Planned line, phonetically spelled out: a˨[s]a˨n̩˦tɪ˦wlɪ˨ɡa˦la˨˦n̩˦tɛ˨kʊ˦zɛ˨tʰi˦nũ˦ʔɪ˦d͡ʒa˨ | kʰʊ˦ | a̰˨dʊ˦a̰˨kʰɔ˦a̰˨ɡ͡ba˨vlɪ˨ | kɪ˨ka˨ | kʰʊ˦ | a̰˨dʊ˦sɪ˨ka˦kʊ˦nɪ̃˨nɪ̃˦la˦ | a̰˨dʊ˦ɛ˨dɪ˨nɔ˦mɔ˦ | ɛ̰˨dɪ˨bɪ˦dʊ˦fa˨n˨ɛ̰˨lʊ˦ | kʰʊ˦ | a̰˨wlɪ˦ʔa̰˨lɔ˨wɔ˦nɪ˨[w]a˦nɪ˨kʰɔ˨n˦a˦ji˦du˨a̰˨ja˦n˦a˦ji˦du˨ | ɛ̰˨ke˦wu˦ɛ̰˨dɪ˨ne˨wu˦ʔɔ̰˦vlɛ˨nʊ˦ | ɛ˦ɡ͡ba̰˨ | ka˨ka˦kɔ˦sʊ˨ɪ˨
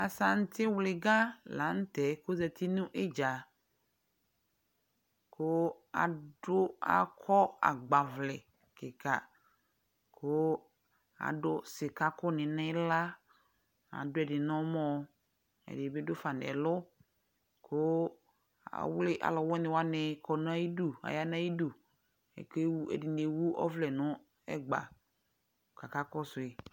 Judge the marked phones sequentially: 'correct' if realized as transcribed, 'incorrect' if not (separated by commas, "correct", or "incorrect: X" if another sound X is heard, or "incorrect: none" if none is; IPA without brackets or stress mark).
correct, correct